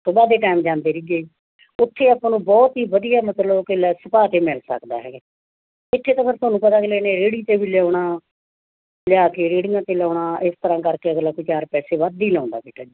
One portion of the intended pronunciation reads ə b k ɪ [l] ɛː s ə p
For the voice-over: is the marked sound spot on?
yes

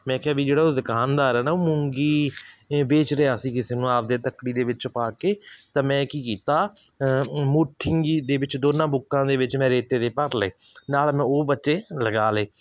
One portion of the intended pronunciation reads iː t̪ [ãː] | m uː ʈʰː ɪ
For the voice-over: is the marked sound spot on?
no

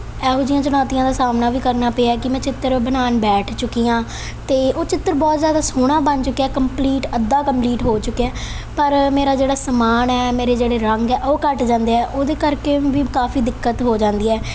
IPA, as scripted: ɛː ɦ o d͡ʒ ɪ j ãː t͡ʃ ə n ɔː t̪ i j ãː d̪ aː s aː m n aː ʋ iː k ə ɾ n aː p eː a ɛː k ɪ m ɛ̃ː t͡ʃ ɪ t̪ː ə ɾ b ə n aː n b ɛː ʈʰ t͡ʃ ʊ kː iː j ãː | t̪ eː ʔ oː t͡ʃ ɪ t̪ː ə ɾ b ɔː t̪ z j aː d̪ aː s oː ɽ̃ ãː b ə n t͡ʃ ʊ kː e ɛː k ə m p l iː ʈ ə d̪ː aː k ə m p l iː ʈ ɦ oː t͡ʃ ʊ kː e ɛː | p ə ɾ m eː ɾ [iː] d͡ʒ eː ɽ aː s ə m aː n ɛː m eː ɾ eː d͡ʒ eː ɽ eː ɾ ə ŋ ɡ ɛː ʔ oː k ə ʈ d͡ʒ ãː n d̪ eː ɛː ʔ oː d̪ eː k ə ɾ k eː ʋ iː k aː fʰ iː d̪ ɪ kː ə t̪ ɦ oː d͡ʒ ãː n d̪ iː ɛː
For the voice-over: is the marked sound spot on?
no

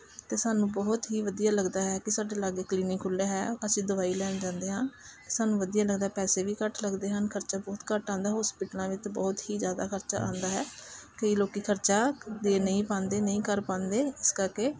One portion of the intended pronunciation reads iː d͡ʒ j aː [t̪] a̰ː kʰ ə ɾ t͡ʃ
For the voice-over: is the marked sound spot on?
no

